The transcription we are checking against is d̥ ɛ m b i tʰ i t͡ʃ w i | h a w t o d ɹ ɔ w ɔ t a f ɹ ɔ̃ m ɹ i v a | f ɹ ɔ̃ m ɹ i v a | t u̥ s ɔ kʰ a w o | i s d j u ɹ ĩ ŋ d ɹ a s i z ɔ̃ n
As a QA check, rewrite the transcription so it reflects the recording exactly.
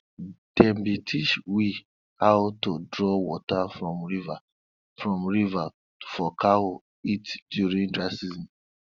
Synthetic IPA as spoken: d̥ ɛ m b i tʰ i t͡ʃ w i | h a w t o d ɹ ɔ w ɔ t a f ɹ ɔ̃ m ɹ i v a | f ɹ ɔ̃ m ɹ i v a | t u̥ f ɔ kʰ a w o | i t d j u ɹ ĩ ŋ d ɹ a s i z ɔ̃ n